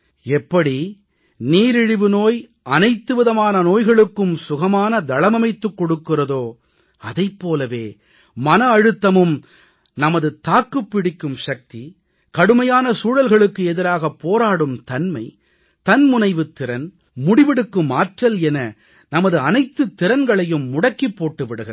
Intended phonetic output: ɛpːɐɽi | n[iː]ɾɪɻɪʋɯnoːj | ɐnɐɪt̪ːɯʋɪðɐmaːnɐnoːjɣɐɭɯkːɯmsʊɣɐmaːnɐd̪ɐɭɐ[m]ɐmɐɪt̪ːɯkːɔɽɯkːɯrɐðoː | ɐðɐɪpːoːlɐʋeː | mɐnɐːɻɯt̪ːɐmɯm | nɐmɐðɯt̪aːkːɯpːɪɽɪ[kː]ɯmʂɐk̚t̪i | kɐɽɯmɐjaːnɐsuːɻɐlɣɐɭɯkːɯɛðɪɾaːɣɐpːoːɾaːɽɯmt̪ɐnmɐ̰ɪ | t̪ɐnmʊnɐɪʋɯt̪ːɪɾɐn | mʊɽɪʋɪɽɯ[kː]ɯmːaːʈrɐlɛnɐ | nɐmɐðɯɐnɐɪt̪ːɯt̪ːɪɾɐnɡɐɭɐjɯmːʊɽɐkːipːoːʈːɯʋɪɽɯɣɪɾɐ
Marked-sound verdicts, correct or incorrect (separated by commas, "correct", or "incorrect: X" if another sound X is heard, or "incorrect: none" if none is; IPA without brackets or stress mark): correct, correct, correct, correct